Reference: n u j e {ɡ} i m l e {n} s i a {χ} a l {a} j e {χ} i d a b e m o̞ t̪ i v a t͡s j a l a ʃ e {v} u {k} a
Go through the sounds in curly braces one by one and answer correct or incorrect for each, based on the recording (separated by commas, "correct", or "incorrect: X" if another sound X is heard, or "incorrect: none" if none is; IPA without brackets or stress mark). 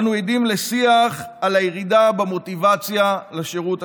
incorrect: d, incorrect: none, correct, correct, incorrect: ʁ, incorrect: ʁ, incorrect: t